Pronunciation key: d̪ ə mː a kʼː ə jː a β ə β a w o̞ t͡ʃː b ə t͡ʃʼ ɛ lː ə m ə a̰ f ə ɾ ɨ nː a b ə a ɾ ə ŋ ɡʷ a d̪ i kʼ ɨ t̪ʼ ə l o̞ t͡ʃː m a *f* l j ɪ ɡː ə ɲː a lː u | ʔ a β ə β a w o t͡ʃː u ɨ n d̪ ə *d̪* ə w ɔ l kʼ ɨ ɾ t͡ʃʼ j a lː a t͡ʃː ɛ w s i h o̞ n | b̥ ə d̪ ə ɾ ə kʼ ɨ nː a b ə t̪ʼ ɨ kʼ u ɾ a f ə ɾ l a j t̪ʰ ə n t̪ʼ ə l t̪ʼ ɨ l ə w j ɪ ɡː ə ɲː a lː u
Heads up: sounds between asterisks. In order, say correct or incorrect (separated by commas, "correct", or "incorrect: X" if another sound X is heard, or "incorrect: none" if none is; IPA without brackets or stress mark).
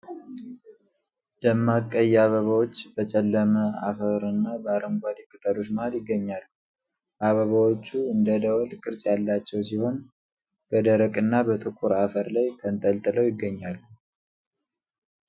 incorrect: h, correct